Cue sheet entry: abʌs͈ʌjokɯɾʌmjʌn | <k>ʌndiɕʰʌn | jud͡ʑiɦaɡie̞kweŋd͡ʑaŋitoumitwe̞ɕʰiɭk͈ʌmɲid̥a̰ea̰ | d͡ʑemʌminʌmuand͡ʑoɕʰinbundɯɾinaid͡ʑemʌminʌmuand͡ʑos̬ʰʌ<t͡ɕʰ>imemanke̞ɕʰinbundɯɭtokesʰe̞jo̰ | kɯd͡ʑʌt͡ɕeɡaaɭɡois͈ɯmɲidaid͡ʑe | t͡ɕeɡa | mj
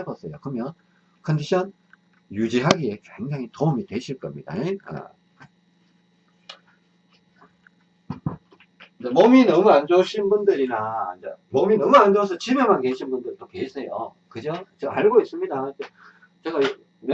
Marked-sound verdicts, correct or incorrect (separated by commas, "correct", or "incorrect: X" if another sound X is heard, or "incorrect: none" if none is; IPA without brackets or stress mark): incorrect: kʰ, incorrect: t͡ɕ